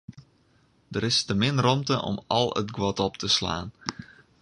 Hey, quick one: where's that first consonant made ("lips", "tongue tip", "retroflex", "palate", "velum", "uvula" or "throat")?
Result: tongue tip